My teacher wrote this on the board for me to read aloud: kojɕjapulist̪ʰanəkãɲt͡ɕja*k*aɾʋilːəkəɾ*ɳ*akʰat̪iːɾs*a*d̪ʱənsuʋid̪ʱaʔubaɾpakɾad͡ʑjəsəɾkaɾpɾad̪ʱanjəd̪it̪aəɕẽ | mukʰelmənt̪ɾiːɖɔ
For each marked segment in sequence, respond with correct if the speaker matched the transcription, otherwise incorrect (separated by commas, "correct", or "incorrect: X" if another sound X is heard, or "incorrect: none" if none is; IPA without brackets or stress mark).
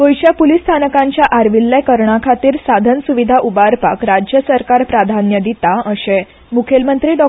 incorrect: ʔ, correct, correct